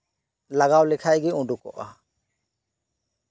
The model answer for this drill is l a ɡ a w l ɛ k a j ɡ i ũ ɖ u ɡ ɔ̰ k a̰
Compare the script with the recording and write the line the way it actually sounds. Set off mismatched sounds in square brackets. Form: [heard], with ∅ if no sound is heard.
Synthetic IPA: l a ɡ a w l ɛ [kʰ] a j ɡ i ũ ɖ u [k] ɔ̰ [ʔ] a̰

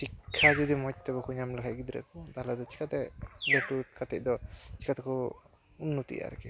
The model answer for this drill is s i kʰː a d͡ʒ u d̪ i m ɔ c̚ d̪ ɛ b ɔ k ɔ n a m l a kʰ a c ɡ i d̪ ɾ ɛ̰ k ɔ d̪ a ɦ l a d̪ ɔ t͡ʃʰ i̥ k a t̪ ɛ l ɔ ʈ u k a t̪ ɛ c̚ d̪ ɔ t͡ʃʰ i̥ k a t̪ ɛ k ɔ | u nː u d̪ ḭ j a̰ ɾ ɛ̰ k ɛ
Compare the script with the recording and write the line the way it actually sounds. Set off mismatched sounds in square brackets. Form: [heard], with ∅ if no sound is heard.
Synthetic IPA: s i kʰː a d͡ʒ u d̪ i m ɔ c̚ [t̪] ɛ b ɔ k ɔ [ɲ] a m l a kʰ a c ɡ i d̪ ɾ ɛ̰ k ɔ d̪ a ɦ l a d̪ ɔ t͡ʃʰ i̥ k a t̪ ɛ l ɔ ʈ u k a t̪ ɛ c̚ d̪ ɔ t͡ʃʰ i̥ k a t̪ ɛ k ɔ | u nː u [t̪] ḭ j a̰ ɾ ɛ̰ k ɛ

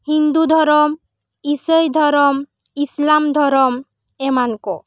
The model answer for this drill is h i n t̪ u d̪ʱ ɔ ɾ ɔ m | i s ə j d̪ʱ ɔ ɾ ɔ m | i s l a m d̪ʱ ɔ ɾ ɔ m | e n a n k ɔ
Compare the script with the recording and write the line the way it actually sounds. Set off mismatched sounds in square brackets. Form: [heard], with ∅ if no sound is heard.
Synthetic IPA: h i n [d̪] u d̪ʱ ɔ ɾ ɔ m | i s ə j d̪ʱ ɔ ɾ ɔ m | i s l a m d̪ʱ ɔ ɾ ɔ m | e [m] a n k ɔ

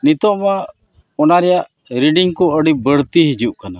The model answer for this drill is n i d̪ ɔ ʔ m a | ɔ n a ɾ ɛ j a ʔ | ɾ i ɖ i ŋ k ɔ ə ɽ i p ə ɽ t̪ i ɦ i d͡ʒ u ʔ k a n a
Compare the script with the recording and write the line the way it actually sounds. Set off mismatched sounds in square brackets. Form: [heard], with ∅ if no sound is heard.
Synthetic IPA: n i [t̪] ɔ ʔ m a | ɔ n a ɾ ɛ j a ʔ | ɾ i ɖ i ŋ k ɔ ə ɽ i [b] ə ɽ t̪ i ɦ i d͡ʒ u ʔ k a n a

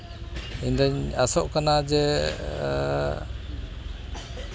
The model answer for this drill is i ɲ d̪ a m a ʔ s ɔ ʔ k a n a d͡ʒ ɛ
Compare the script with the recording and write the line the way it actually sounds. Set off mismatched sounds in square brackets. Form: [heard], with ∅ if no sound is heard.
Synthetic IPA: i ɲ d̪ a [ɲ] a [∅] s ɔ ʔ k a n a d͡ʒ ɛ

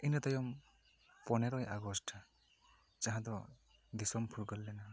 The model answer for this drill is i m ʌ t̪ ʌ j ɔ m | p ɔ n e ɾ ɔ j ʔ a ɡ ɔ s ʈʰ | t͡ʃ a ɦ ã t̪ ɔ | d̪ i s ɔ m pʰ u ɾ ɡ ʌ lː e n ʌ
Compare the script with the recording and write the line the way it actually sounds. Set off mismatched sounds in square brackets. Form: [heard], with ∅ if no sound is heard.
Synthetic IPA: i [n] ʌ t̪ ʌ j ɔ m | p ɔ n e ɾ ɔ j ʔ a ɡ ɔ s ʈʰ | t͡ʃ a ɦ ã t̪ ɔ | d̪ i s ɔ m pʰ u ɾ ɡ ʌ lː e n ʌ

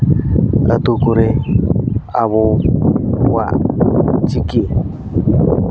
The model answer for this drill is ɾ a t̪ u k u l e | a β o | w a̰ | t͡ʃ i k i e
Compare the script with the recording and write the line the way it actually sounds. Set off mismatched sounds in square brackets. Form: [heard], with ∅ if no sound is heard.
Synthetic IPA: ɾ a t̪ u k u [ɾ] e | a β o | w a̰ | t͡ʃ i k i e

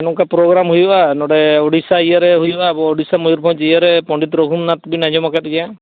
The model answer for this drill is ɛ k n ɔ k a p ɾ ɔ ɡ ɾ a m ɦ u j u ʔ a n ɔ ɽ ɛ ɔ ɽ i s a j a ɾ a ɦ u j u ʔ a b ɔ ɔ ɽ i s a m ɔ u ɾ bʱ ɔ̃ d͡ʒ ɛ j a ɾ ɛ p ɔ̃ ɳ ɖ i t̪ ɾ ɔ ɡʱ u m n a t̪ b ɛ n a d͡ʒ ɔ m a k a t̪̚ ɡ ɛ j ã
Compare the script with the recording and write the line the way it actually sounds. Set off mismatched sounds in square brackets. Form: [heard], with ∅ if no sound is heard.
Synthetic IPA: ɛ [∅] n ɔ k a p ɾ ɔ ɡ ɾ a m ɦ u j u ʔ a n ɔ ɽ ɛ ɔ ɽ i s a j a ɾ [ɛ] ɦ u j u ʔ a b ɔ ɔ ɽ i s a m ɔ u ɾ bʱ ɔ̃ d͡ʒ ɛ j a ɾ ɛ p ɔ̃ ɳ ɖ i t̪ ɾ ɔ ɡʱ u m n a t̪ b [i] n a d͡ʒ ɔ m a k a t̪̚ ɡ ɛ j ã

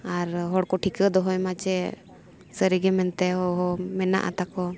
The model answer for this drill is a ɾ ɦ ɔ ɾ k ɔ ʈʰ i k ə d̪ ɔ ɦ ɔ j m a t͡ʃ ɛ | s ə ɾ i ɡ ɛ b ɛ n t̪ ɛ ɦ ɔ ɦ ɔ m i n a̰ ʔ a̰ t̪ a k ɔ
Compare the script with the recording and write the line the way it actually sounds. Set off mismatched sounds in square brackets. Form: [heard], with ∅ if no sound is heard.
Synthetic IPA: a ɾ ɦ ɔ [ɽ] k ɔ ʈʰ i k ə d̪ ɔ ɦ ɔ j m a t͡ʃ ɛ | s ə ɾ i ɡ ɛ [m] ɛ n t̪ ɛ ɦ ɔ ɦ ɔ m [ɛ] n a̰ ʔ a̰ t̪ a k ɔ

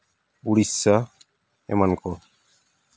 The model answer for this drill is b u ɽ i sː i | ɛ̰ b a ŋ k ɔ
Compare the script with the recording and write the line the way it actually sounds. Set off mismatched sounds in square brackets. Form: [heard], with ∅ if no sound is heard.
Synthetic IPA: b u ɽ i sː [a] | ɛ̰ [m] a [n] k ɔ

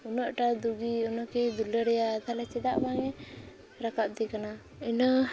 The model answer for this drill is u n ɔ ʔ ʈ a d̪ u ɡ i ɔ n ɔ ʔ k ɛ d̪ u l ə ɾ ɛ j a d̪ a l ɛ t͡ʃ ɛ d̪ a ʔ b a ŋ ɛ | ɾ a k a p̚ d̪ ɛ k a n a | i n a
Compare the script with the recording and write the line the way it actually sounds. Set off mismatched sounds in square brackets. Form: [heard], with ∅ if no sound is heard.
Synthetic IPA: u n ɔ ʔ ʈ a d̪ u ɡ i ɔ n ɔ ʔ k ɛ d̪ u l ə ɾ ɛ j a d̪ a l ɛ t͡ʃ ɛ d̪ a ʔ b a ŋ ɛ | ɾ a k a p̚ d̪ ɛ k a n a | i n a

